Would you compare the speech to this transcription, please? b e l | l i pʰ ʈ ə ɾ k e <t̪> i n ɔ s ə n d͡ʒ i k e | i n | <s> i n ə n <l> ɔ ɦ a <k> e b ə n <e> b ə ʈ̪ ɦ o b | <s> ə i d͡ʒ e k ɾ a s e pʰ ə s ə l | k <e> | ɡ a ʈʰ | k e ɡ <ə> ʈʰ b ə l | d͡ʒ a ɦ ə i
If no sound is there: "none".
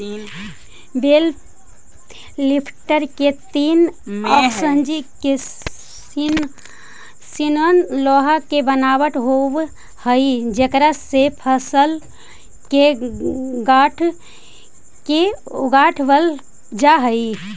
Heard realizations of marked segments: t̪, s, l, k, a, h, e, a

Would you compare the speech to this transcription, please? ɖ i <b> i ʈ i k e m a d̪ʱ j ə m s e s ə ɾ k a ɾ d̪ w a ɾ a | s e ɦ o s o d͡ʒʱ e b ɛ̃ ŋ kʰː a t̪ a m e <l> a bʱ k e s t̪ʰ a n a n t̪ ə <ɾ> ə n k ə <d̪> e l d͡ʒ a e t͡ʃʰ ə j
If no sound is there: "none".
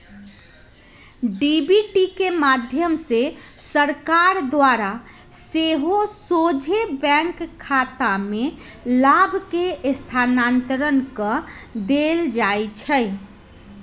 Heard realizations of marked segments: b, l, ɾ, d̪

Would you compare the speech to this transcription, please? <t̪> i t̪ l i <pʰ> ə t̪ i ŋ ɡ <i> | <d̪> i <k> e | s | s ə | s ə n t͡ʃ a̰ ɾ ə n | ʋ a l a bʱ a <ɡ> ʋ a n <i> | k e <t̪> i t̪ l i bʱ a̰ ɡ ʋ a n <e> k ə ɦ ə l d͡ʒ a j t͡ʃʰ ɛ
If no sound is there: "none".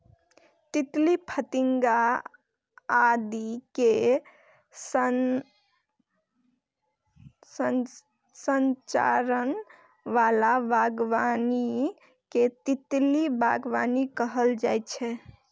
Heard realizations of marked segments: t̪, pʰ, a, d̪, k, ɡ, i, t̪, i

